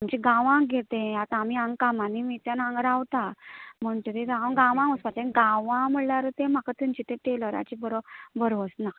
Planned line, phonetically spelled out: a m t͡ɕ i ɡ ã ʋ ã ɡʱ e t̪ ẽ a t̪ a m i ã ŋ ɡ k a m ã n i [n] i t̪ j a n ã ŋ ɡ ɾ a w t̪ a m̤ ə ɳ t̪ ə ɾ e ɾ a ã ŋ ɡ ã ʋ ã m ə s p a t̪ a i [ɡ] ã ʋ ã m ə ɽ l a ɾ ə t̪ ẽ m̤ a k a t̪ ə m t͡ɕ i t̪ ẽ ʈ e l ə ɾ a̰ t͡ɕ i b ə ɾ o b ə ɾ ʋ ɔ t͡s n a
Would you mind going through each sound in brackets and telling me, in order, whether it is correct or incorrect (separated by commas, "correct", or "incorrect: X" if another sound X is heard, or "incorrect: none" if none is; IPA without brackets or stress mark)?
incorrect: m, correct